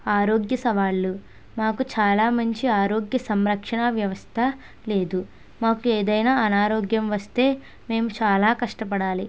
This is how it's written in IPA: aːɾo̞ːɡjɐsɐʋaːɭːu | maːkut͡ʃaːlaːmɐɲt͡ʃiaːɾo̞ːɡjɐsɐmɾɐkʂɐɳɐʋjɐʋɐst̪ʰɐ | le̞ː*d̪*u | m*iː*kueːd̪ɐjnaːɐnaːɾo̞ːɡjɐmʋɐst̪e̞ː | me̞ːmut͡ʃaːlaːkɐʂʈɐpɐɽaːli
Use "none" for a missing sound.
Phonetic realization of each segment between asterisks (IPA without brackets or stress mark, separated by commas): d̪, aː